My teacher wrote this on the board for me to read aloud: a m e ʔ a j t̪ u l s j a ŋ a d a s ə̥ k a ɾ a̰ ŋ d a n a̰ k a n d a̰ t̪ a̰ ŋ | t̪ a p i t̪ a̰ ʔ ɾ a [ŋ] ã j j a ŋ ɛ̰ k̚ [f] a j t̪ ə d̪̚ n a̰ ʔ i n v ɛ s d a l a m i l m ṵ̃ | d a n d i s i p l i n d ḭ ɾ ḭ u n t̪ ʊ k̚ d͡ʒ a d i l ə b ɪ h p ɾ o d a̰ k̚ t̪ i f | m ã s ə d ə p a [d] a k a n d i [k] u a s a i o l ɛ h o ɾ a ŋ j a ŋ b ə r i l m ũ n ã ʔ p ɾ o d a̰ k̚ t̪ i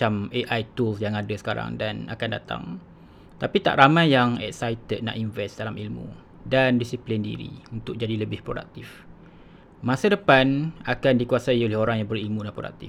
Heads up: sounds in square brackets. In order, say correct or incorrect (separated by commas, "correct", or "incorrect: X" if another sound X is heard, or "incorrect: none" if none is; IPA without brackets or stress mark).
incorrect: m, incorrect: s, incorrect: n, correct